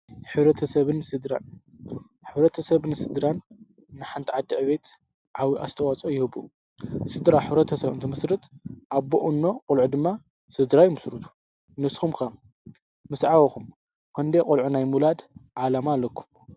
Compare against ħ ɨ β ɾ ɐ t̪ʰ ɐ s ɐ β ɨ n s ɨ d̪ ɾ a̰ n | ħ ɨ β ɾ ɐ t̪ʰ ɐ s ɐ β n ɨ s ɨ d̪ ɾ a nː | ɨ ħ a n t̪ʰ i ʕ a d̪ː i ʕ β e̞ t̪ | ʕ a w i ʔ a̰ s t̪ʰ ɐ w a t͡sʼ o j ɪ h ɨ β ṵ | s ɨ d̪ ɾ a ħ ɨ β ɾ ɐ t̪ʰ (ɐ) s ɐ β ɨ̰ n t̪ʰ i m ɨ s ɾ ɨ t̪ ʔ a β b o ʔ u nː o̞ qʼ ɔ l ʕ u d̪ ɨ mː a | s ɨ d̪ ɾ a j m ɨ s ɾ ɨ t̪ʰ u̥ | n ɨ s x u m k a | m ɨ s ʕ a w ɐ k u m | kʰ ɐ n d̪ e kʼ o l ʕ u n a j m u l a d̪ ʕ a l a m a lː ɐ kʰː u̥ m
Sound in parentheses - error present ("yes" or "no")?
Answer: no